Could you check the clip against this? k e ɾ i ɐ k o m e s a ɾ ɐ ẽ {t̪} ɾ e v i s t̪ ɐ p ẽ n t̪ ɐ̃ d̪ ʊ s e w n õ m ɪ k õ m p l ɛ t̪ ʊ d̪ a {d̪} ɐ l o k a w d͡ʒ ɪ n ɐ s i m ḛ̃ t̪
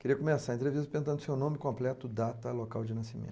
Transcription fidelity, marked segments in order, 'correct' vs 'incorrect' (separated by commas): correct, incorrect